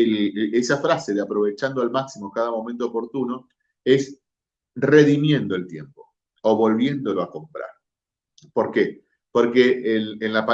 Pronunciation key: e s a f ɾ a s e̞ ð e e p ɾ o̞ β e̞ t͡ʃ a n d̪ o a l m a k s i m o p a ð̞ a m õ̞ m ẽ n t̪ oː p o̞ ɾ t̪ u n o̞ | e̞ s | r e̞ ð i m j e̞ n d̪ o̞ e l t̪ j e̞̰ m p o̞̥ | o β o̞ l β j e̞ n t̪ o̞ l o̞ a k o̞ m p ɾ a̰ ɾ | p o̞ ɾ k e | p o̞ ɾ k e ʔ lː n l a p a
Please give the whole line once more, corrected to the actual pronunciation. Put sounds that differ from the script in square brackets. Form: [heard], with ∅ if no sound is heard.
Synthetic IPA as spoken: e s a f ɾ a s e̞ ð e [a] p ɾ o̞ β e̞ t͡ʃ a n d̪ o a l m a k s i m o [k] a ð̞ a m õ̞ m ẽ n t̪ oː p o̞ ɾ t̪ u n o̞ | e̞ s | r e̞ ð i m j e̞ n d̪ o̞ e l t̪ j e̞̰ m p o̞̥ | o β o̞ l β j e̞ n [d̪] o̞ l o̞ a k o̞ m p ɾ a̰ ɾ | p o̞ ɾ k e | p o̞ ɾ k e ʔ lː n l a p a